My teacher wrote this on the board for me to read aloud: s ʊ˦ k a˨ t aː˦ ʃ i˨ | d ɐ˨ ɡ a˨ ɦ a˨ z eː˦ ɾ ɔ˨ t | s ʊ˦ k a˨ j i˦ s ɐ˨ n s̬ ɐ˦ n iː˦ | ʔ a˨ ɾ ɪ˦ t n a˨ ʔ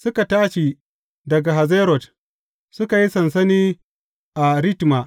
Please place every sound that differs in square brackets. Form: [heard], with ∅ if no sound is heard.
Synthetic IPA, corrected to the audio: s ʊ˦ k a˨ t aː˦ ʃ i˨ | d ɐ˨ ɡ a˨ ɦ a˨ z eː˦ ɾ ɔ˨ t | s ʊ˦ k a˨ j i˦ s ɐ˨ n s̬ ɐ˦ n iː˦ | ʔ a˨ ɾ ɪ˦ t [m] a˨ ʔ